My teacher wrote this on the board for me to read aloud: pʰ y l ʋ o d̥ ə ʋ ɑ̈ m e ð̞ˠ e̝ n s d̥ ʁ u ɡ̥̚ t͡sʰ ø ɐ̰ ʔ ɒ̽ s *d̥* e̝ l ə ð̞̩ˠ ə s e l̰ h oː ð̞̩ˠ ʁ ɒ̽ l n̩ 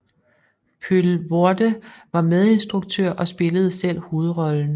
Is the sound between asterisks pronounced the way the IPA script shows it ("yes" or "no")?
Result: no